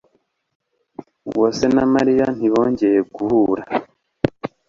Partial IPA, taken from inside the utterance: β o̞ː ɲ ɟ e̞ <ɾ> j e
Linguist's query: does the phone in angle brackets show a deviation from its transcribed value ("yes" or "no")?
yes